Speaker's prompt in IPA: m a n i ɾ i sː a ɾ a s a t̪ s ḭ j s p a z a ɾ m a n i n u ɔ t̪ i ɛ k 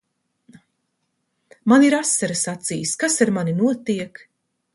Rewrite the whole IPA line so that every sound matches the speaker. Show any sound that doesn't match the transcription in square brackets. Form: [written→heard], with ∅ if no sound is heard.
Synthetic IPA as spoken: m a n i ɾ [i→a] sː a ɾ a s a t̪ s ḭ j s [p→k] a [z→s] a ɾ m a n i n u ɔ t̪ i ɛ k